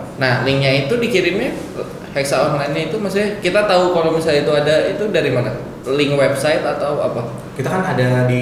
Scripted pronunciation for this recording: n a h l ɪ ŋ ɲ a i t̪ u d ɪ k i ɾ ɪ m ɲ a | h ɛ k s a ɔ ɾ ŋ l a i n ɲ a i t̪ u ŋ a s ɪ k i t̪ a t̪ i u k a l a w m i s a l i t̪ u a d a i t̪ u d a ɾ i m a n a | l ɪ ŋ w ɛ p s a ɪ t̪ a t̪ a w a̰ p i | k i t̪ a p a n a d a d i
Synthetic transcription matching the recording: n a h l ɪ ŋ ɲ a i t̪ u d i k i ɾ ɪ m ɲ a | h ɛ k s a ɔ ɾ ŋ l a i n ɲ a i t̪ u m a s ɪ k i t̪ a t̪ a u k a l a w m i s a l i t̪ u a d a i t̪ u d a ɾ i m a n a | l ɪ ŋ w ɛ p s a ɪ t̪ a t̪ a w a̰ p a | k i t̪ a k a n a d a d i